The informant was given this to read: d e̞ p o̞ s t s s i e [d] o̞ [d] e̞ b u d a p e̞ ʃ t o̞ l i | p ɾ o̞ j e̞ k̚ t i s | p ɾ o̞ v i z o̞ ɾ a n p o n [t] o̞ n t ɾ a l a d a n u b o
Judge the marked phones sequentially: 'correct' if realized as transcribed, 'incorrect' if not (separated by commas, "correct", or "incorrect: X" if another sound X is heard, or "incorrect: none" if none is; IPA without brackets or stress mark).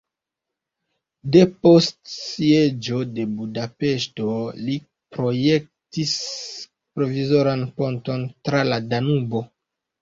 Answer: incorrect: d͡ʒ, correct, correct